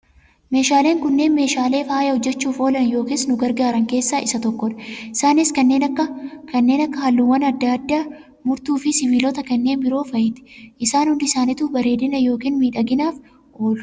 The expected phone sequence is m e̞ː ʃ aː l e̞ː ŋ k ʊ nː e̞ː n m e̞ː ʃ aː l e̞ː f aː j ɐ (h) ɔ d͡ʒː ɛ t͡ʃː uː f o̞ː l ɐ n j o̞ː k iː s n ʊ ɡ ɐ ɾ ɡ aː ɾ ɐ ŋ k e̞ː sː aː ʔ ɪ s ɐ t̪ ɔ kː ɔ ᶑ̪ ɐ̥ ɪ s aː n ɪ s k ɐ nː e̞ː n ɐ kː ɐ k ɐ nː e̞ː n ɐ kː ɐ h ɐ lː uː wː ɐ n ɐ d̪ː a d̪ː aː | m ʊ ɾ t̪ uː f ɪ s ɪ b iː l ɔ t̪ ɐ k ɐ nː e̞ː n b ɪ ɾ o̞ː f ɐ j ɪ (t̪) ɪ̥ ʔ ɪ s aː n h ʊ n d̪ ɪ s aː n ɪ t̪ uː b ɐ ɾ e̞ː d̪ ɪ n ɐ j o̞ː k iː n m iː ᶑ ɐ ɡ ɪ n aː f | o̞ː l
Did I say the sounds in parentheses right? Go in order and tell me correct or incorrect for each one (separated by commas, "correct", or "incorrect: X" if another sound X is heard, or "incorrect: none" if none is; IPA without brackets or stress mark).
correct, correct